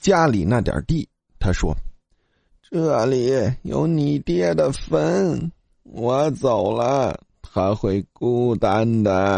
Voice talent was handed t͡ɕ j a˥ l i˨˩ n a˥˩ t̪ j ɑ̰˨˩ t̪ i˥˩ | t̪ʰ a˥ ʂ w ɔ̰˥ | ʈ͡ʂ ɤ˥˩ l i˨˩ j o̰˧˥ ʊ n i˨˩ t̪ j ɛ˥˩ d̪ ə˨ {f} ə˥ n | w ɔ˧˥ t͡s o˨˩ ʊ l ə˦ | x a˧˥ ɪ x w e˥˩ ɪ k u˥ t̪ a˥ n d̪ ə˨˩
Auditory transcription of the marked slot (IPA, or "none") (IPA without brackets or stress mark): f